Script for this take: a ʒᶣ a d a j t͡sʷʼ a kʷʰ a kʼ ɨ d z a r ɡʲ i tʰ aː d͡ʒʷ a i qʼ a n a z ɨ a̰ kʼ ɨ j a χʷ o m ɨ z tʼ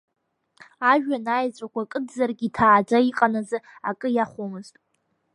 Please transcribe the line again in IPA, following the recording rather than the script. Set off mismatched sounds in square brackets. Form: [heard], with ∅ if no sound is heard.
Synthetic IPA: a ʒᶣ a [n] a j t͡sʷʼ a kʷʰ a kʼ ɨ d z a r ɡʲ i tʰ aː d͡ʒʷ a i qʼ a n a z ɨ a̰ kʼ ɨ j a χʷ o m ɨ z tʼ